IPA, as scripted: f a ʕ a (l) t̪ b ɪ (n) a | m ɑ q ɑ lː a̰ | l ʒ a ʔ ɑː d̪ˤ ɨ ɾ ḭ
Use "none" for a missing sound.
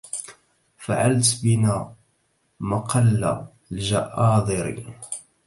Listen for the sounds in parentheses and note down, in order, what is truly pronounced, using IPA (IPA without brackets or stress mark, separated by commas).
l, n